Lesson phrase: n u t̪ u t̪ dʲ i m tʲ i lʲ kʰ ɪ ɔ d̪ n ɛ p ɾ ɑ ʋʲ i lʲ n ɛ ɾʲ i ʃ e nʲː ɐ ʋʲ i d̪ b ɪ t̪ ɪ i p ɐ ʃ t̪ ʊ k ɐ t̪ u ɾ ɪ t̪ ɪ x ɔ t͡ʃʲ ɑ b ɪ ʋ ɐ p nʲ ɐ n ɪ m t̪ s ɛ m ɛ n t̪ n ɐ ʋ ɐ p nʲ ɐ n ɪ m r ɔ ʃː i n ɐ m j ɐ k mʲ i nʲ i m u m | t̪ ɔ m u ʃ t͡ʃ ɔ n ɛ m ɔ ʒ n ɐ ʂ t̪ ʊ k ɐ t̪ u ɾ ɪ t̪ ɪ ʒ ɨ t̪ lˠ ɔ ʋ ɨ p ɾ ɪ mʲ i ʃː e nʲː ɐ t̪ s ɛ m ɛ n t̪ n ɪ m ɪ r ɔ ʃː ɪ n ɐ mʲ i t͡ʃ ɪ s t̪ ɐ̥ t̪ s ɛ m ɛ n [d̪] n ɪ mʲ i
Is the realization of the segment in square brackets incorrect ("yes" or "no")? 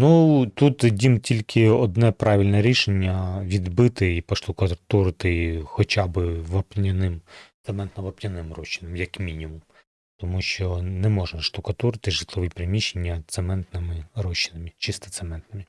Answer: yes